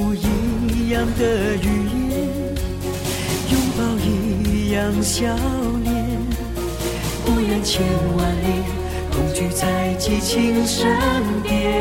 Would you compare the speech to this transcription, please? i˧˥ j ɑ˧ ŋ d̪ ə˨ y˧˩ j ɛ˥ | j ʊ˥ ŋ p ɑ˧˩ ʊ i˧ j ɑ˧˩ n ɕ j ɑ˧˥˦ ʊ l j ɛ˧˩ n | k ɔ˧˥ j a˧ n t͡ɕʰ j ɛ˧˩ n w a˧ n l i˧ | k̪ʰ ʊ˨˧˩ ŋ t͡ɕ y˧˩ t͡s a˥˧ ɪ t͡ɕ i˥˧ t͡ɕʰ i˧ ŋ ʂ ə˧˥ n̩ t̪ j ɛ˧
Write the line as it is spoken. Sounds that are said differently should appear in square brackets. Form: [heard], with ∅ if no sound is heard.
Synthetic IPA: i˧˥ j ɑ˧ ŋ d̪ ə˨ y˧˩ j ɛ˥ | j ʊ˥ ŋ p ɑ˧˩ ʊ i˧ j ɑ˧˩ [ŋ] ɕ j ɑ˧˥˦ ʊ l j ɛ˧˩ n | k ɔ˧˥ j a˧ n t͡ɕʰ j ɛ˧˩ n w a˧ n l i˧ | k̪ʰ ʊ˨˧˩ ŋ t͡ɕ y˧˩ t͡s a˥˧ ɪ t͡ɕ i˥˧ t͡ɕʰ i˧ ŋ ʂ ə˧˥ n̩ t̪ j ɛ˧